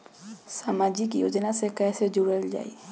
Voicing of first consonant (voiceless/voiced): voiceless